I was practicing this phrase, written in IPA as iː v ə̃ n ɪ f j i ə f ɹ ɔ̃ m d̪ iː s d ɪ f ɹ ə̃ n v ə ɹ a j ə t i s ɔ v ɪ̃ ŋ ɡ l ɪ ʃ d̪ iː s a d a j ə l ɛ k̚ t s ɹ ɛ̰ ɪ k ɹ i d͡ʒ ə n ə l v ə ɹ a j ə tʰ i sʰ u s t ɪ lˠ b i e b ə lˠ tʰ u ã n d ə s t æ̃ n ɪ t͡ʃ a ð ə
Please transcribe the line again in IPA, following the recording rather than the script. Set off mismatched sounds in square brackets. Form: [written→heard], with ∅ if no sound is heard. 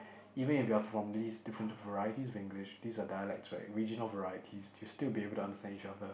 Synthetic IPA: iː v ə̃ n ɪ f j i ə f ɹ ɔ̃ m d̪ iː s d ɪ f ɹ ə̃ n v ə ɹ a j ə t i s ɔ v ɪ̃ ŋ ɡ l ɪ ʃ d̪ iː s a d a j ə l ɛ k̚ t s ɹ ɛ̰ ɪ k ɹ i d͡ʒ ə n ə l v ə ɹ a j ə tʰ i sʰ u s t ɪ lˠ b i e b ə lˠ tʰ u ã n d ə s t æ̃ n [ɪ→i] t͡ʃ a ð ə